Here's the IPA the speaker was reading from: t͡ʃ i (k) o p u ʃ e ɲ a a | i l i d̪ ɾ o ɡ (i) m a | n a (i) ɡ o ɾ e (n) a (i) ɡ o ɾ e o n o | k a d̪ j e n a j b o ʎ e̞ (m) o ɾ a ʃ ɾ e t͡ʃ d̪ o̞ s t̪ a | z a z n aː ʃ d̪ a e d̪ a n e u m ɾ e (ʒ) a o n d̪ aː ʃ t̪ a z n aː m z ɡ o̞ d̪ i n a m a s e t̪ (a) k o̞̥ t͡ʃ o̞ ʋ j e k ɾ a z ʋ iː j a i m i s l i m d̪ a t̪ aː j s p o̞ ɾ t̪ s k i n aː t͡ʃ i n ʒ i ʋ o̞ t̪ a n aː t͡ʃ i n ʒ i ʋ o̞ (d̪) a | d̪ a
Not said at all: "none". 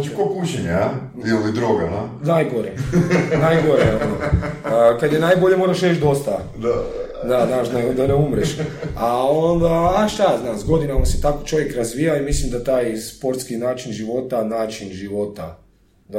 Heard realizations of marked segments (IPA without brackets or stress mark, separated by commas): k, a, j, n, j, m, ʃ, a, t̪